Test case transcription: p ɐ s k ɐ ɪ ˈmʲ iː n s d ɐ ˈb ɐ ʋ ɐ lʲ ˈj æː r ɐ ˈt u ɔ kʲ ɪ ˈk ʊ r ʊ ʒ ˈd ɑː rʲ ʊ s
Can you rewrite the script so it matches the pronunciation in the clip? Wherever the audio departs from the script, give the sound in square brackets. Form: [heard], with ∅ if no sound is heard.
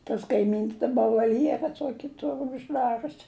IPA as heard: [t] ɐ s k ɐ ɪ ˈmʲ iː n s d ɐ ˈb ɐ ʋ ɐ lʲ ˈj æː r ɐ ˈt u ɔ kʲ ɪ [ˈt] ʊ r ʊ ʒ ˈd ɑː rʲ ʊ s